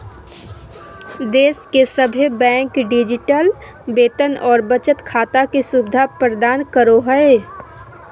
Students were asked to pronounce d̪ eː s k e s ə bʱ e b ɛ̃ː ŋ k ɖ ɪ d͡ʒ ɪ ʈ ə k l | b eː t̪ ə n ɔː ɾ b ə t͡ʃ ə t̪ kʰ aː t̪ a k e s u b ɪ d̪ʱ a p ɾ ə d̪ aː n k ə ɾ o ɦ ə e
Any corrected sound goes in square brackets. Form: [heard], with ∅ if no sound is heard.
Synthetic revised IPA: d̪ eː s k e s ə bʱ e b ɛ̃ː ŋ k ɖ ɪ d͡ʒ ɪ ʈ ə [∅] l | b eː t̪ ə n ɔː ɾ b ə t͡ʃ ə t̪ kʰ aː t̪ a k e s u b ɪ d̪ʱ a p ɾ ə d̪ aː n k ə ɾ o ɦ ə e